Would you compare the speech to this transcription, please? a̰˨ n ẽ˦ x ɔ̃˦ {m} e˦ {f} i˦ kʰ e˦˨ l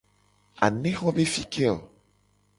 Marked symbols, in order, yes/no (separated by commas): no, yes